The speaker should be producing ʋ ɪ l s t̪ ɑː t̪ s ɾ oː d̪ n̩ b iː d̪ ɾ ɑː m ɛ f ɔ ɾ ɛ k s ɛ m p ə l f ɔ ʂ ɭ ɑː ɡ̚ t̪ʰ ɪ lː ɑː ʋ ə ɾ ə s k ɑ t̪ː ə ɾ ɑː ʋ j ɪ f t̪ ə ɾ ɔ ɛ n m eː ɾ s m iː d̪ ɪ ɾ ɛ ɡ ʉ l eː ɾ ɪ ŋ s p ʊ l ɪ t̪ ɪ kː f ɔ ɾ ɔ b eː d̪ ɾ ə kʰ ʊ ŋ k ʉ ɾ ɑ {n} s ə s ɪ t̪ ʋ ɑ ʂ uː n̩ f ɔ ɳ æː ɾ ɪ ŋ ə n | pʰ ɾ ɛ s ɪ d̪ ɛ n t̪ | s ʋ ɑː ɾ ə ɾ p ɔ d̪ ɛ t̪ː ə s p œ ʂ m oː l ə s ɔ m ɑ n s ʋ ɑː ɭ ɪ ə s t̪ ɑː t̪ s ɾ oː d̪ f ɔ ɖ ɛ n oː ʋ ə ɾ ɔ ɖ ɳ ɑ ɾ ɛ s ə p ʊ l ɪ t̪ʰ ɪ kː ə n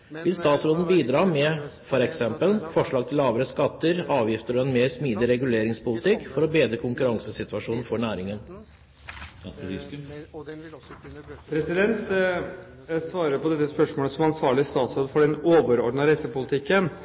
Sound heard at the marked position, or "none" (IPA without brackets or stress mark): ŋ